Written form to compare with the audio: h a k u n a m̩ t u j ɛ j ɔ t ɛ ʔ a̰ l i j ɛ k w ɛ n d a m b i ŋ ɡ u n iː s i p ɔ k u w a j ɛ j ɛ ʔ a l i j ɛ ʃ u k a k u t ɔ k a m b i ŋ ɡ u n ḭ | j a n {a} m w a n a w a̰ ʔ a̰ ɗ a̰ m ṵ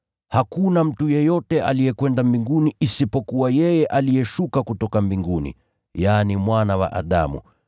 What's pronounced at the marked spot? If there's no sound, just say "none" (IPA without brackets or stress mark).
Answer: i